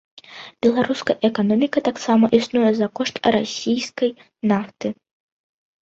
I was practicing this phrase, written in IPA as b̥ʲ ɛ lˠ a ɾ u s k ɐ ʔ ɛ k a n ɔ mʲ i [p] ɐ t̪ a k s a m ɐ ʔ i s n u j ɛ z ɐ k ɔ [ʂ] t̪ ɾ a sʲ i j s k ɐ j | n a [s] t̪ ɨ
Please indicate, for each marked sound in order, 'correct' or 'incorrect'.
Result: incorrect: k, correct, incorrect: f

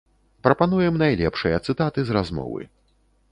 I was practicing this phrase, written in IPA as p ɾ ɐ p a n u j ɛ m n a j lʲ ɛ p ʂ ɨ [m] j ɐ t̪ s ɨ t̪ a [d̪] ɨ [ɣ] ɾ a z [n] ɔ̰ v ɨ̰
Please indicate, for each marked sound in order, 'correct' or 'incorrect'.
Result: incorrect: none, incorrect: t̪, incorrect: z, incorrect: m

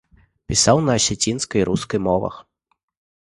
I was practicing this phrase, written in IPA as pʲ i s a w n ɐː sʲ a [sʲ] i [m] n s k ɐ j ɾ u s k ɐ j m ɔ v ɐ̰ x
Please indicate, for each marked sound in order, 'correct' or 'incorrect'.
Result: incorrect: t͡sʲ, incorrect: none

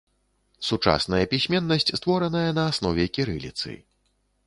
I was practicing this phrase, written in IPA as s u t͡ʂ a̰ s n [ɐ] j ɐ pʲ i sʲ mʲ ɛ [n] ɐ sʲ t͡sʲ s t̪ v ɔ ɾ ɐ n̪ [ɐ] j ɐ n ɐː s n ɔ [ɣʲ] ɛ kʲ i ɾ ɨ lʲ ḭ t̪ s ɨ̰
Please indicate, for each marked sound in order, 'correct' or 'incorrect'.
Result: correct, incorrect: nː, correct, incorrect: vʲ

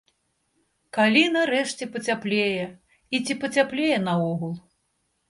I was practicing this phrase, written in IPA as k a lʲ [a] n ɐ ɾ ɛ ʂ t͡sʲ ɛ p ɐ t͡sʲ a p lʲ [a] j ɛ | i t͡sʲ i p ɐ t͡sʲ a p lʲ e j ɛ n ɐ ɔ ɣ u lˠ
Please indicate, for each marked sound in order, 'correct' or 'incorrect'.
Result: incorrect: i, incorrect: e

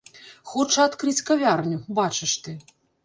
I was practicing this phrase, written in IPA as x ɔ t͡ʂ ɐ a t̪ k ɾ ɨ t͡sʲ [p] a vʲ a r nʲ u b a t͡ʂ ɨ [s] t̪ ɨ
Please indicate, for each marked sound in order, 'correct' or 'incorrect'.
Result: incorrect: k, incorrect: ʂ

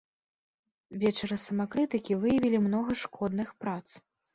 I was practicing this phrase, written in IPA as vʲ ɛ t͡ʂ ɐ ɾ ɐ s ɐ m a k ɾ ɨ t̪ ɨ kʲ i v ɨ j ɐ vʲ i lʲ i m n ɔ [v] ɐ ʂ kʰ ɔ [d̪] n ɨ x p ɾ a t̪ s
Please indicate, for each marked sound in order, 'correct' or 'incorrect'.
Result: incorrect: ɣ, correct

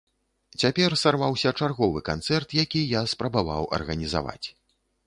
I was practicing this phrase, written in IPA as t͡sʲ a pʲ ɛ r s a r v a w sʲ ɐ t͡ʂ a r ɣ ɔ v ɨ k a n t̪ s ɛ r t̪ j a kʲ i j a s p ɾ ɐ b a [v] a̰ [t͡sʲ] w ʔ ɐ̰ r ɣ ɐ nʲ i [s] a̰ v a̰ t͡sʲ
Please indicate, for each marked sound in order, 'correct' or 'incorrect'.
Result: correct, incorrect: none, incorrect: z

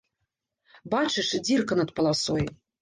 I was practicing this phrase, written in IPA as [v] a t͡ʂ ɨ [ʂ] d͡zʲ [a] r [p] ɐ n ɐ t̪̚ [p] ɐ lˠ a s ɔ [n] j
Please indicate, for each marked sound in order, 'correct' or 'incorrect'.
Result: incorrect: b, correct, incorrect: i, incorrect: k, correct, incorrect: none

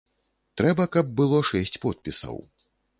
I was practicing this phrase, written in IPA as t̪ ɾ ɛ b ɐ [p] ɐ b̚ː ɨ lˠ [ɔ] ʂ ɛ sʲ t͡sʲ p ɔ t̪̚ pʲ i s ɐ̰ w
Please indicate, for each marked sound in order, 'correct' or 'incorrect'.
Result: incorrect: k, correct

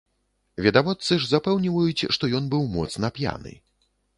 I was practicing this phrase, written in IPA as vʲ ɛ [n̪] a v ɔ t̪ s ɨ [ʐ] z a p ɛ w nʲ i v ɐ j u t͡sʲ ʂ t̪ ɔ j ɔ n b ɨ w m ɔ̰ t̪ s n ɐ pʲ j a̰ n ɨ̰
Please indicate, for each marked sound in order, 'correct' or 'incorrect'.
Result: incorrect: d̪, correct

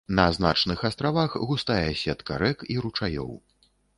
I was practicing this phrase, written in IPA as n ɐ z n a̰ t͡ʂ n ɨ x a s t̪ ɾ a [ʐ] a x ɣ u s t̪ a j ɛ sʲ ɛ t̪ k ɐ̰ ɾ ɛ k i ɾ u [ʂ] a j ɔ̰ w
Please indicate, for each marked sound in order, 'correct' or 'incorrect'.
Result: incorrect: v, incorrect: t͡ʂ

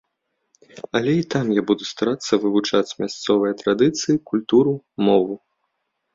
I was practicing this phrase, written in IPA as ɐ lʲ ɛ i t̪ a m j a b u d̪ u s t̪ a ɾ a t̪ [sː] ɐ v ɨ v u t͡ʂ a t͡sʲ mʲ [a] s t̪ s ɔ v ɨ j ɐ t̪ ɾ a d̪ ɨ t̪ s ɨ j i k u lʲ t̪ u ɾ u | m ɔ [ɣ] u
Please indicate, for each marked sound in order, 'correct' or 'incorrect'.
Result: correct, correct, incorrect: v

